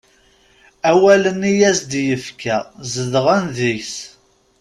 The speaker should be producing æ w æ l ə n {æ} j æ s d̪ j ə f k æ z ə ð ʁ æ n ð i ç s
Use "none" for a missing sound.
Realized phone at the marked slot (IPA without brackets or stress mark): i